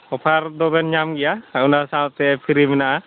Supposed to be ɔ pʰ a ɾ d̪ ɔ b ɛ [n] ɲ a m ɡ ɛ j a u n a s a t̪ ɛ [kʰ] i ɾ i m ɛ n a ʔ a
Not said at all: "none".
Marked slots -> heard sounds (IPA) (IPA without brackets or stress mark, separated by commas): n, pʰ